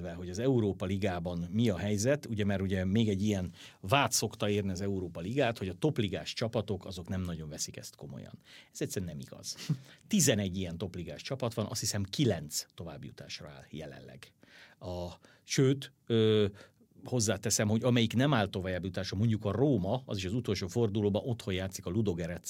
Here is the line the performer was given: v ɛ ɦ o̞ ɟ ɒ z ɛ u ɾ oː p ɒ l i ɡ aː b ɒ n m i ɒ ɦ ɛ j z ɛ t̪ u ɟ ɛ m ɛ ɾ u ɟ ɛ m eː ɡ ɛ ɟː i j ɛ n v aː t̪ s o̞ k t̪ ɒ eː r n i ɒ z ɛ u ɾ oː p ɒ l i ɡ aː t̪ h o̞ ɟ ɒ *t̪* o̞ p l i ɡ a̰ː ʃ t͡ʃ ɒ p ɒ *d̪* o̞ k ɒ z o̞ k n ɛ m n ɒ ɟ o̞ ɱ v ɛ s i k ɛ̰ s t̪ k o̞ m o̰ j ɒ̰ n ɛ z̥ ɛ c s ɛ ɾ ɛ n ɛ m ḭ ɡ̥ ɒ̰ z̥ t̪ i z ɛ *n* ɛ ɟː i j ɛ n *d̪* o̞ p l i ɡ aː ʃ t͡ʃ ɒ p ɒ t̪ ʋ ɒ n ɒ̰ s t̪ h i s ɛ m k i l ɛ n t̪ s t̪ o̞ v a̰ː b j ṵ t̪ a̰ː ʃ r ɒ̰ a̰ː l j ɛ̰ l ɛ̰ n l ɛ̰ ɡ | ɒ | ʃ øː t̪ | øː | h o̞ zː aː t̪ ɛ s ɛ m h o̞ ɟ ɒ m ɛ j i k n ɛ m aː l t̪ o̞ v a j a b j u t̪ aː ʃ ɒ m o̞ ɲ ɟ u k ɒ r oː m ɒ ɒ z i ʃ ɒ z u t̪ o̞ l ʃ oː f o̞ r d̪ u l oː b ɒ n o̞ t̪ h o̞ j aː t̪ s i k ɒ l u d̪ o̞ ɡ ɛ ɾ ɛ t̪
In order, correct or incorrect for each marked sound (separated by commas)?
correct, incorrect, correct, incorrect